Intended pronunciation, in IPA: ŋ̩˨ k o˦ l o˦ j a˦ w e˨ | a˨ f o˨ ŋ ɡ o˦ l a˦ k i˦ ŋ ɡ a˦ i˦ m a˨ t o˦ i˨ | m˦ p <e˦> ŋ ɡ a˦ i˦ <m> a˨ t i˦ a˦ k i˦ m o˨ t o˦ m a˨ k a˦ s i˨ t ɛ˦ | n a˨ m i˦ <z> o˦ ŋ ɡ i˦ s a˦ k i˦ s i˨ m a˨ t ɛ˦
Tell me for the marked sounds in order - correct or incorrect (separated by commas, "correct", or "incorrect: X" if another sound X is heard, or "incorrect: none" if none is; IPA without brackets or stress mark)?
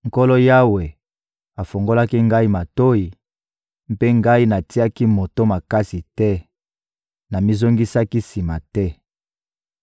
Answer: correct, incorrect: n, correct